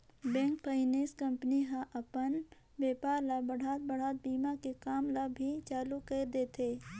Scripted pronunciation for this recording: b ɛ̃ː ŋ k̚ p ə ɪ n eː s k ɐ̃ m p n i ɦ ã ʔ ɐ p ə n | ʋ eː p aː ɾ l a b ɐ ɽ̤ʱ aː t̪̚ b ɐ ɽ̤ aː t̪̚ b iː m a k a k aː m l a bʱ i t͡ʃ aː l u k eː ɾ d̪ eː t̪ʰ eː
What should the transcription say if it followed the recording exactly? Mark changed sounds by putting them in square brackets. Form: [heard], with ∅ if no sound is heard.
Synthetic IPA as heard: b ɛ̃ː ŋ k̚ p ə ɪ n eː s k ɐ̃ m p n i ɦ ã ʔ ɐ p ə n | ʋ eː p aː ɾ l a b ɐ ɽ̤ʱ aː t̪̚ b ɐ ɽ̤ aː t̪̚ b iː m a k [e] k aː m l a bʱ i t͡ʃ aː l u k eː ɾ d̪ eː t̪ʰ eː